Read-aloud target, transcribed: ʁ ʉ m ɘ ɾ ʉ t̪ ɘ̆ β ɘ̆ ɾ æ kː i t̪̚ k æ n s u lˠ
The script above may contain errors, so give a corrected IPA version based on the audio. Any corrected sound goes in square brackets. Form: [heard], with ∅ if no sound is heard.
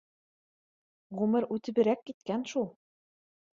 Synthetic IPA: ʁ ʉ m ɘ ɾ ʉ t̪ ɘ̆ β ɘ̆ ɾ æ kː i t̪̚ k æ n [ʃ] u lˠ

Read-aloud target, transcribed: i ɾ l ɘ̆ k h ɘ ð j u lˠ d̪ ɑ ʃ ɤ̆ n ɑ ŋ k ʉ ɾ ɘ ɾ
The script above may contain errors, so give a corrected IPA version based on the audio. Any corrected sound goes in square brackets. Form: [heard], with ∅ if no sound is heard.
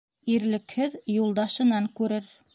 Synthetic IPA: i ɾ l ɘ̆ k h ɘ ð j u lˠ d̪ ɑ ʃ ɤ̆ n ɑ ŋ k ʉ ɾ ɘ ɾ

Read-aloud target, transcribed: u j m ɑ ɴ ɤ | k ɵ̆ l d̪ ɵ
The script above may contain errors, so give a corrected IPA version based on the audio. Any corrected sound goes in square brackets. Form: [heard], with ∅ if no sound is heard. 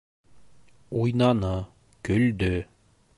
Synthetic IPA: u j [n] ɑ [n] ɤ | k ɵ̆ l d̪ ɵ

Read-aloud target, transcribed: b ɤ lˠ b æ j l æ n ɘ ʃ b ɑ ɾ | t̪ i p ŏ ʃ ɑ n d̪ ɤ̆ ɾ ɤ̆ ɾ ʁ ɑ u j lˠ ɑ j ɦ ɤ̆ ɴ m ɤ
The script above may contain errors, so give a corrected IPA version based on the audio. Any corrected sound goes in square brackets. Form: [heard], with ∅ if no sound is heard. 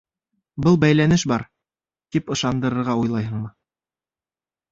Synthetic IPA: b ɤ lˠ b æ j l æ n ɘ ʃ b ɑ ɾ | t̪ i p [ɤ̆] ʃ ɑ n d̪ ɤ̆ ɾ ɤ̆ ɾ ʁ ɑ u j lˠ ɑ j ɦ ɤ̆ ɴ m ɤ

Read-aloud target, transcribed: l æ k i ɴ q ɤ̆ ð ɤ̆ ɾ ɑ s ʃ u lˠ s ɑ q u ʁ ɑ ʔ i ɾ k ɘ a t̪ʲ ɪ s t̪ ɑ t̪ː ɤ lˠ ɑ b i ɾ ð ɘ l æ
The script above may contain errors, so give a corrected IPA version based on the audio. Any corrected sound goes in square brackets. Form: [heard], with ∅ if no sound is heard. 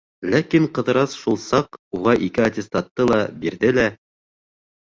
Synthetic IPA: l æ k i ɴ q ɤ̆ ð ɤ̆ ɾ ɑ s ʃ u lˠ s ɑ q u ʁ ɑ ʔ i [∅] k ɘ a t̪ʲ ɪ s t̪ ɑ t̪ː ɤ lˠ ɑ b i ɾ ð ɘ l æ

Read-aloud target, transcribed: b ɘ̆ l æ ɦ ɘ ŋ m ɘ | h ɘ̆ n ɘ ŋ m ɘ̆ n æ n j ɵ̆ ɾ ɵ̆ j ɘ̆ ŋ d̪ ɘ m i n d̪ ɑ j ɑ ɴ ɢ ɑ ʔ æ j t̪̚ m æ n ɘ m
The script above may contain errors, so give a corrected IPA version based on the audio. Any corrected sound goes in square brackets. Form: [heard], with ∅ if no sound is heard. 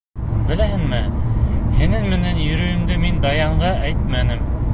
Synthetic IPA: b ɘ̆ l æ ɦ ɘ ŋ m ɘ | h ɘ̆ n ɘ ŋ m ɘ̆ n æ n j ɵ̆ ɾ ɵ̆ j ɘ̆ [m] d̪ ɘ m i n d̪ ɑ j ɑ ɴ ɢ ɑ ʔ æ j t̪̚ m æ n ɘ m

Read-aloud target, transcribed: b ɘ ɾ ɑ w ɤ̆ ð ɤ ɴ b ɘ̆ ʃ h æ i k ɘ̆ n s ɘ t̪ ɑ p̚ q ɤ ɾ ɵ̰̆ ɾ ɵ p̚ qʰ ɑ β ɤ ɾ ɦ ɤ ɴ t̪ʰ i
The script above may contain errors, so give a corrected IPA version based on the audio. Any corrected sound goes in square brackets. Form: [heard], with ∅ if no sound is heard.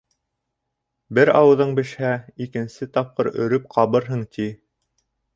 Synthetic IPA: b ɘ ɾ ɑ w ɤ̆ ð ɤ ɴ b ɘ̆ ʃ h æ i k ɘ̆ n s ɘ t̪ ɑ p̚ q ɤ ɾ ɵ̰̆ ɾ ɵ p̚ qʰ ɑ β ɤ ɾ ɦ ɤ ɴ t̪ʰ i

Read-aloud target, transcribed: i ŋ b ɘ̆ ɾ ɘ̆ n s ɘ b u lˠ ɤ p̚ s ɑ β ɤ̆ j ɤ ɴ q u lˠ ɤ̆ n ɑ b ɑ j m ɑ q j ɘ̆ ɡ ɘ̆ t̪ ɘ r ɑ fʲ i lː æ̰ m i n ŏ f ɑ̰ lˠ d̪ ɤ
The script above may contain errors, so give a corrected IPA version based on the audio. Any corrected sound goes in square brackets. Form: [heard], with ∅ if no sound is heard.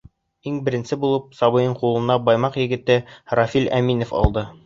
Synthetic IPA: i ŋ b ɘ̆ ɾ ɘ̆ n s ɘ b u lˠ ɤ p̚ s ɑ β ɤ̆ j ɤ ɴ q u lˠ ɤ̆ n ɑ b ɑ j m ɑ q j ɘ̆ ɡ ɘ̆ t̪ ɘ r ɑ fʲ i [l] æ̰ m i n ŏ f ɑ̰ lˠ d̪ ɤ

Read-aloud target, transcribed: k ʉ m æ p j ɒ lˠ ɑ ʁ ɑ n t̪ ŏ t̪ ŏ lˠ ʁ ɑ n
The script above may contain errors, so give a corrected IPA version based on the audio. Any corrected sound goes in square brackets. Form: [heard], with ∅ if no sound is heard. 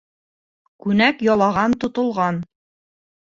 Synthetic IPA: k ʉ [n] æ [k] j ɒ lˠ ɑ ʁ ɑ n t̪ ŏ t̪ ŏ lˠ ʁ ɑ n

